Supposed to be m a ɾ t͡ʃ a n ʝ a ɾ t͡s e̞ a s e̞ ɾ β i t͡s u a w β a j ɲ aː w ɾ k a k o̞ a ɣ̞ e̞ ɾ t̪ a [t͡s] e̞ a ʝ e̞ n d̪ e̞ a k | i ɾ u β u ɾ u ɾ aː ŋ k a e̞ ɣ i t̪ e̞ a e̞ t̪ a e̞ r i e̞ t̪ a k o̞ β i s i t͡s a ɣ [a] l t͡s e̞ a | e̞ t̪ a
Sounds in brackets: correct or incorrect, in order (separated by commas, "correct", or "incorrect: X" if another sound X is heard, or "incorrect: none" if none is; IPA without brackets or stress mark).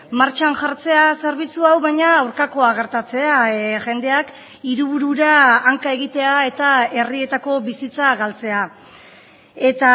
correct, correct